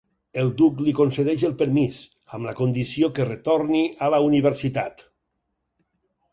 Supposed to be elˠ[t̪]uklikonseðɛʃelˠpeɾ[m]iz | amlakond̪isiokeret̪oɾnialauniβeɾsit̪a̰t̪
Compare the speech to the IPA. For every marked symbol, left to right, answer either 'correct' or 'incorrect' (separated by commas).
incorrect, correct